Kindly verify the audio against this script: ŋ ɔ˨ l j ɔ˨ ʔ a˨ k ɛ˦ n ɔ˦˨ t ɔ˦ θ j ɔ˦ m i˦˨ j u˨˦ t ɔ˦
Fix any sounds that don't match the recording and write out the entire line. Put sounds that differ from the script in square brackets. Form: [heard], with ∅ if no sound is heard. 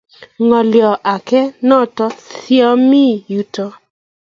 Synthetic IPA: ŋ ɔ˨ l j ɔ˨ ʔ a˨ k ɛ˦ n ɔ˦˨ t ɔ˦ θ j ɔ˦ m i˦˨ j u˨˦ t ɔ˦